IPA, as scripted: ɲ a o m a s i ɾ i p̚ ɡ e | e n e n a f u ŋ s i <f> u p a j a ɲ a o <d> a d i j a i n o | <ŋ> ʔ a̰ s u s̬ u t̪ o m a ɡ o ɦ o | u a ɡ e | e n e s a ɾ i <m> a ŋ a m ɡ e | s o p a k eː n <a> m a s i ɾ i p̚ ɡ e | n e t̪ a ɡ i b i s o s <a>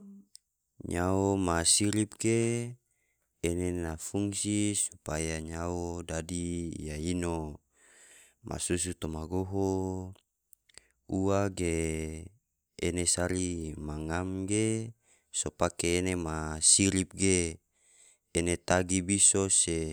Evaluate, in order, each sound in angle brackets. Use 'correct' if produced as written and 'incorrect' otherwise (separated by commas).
incorrect, correct, incorrect, correct, incorrect, incorrect